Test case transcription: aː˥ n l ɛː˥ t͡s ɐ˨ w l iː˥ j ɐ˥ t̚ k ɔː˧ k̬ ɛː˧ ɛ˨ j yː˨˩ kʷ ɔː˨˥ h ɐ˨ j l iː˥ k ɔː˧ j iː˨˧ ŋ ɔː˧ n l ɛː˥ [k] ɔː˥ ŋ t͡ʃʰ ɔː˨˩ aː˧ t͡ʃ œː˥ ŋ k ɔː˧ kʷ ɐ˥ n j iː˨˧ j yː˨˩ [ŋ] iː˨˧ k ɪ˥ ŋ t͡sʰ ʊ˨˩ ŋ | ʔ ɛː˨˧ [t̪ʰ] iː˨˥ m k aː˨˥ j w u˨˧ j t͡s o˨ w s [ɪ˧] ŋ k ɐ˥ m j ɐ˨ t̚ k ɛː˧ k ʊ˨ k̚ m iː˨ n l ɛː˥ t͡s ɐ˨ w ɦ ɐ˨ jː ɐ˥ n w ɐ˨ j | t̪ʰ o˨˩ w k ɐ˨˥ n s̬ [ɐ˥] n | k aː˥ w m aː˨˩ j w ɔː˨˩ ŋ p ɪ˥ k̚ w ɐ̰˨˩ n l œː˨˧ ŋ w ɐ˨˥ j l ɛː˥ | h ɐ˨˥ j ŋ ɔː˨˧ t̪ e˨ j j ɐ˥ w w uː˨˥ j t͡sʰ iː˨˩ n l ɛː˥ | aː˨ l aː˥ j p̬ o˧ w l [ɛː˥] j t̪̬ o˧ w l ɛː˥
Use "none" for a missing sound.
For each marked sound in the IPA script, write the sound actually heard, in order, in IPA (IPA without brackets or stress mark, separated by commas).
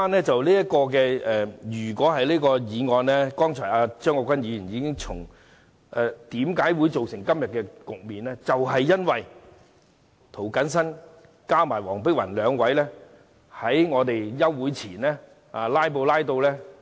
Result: k, n, t̪, ɪ˨˩, ɐ˥, aː˥